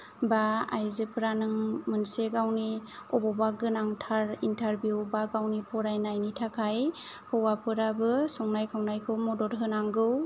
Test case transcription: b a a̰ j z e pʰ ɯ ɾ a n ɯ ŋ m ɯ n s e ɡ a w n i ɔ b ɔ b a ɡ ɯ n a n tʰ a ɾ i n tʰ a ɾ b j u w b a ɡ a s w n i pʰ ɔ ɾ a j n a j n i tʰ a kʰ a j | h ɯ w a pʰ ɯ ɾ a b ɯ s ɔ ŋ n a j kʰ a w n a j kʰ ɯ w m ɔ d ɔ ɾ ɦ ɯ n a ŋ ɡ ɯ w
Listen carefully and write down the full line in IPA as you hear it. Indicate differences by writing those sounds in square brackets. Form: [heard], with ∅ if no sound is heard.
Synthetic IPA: b a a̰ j z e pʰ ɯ ɾ a n ɯ ŋ m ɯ n s e ɡ a w n i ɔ b ɔ b a ɡ ɯ n a [ŋ] tʰ a ɾ i n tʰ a ɾ b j u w b a ɡ a [∅] w n i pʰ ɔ ɾ a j n a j n i tʰ a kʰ a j | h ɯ w a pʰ ɯ ɾ a b ɯ s ɔ ŋ n a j kʰ a w n a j kʰ ɯ w m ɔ d ɔ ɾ ɦ ɯ n a ŋ ɡ ɯ w